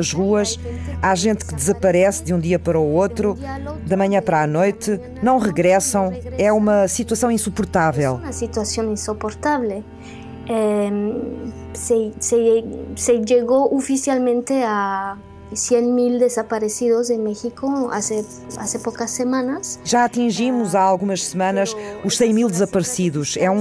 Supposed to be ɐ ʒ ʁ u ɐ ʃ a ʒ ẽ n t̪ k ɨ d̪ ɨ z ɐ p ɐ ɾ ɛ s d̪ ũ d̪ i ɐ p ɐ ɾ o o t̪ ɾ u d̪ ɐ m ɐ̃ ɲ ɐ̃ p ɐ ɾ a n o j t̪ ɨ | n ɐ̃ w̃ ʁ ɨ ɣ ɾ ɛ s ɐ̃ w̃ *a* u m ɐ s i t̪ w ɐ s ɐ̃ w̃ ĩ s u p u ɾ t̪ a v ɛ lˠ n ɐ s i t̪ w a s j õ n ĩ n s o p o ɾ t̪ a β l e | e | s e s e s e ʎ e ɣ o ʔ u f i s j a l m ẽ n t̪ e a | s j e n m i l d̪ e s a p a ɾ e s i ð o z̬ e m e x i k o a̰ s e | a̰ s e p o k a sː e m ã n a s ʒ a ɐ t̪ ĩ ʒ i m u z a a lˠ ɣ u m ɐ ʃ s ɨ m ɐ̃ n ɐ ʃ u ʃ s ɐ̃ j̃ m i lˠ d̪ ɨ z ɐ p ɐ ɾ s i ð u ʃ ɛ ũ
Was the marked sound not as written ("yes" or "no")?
yes